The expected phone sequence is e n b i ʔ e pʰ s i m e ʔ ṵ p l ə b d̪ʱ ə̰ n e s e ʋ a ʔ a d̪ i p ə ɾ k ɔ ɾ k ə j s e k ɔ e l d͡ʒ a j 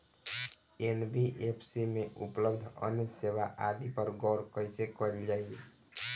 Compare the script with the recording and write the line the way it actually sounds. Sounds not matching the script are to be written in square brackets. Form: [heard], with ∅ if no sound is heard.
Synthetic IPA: e n b i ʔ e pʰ s i m e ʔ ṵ p l ə b d̪ʱ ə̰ n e s e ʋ a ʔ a d̪ i p ə ɾ [ɡ] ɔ ɾ k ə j s e k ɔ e l d͡ʒ a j